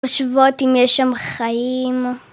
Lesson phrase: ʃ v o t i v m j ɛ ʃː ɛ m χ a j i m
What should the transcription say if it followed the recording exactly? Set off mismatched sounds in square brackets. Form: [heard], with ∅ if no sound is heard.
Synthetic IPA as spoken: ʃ v o t i [∅] m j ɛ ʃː [a] m χ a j i m